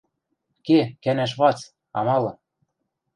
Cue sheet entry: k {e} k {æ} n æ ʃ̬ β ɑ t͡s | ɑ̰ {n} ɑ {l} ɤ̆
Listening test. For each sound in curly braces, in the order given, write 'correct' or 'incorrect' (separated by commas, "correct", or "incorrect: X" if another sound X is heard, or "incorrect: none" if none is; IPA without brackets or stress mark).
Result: correct, correct, incorrect: m, correct